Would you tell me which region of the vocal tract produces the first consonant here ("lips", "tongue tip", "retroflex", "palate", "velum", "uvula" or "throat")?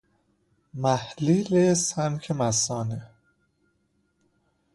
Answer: lips